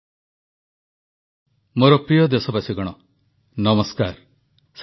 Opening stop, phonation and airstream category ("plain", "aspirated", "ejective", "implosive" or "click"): plain